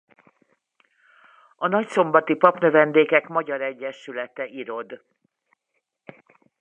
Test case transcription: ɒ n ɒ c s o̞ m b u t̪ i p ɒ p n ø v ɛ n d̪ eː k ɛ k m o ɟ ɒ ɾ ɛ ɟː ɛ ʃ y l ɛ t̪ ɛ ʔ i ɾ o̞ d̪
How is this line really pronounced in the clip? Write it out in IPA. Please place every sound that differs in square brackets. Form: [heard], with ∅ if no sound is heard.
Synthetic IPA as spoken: ɒ n ɒ c s o̞ m b [ɒ] t̪ i p ɒ p n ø v ɛ n d̪ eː k ɛ k m [ɒ] ɟ ɒ ɾ ɛ ɟː ɛ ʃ y l ɛ t̪ ɛ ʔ i ɾ o̞ d̪